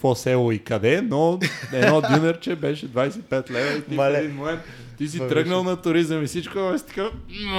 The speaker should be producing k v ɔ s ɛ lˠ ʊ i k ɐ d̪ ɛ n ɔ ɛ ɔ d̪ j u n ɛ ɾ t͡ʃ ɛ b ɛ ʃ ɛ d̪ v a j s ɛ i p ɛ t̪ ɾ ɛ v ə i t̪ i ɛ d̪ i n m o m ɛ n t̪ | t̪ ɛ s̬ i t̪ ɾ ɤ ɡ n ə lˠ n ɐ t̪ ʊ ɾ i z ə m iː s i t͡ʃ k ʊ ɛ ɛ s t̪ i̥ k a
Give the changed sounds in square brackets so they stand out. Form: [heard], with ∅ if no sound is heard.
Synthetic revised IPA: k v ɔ s ɛ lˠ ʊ i k ɐ d̪ ɛ n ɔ ɛ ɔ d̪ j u n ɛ ɾ t͡ʃ ɛ b ɛ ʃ ɛ d̪ v a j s ɛ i p ɛ t̪ [l] ɛ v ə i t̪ i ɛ d̪ i n m o m ɛ n t̪ | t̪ [i] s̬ i t̪ ɾ ɤ ɡ n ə lˠ n ɐ t̪ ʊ ɾ i z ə m [i] s i t͡ʃ k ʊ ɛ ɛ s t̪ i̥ k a